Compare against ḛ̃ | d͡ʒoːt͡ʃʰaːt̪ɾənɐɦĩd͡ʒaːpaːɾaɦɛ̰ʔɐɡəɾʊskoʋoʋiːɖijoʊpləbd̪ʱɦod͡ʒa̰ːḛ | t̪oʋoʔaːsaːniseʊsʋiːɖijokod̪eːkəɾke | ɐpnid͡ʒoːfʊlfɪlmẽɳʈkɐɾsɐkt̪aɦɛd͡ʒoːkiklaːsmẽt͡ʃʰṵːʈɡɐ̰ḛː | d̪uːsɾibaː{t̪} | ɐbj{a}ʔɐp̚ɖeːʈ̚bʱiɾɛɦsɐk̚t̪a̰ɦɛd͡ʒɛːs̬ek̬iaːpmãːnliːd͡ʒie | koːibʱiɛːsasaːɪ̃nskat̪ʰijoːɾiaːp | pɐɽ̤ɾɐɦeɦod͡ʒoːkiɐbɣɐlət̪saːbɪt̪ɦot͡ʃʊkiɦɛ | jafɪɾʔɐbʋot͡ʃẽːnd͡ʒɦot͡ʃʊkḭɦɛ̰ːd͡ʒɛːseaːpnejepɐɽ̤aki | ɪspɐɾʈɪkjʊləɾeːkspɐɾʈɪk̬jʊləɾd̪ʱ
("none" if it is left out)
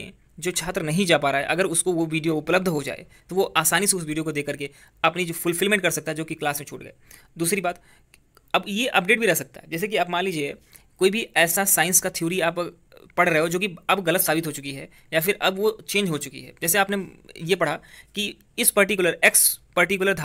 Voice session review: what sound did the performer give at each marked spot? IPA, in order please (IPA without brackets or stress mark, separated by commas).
t̪, e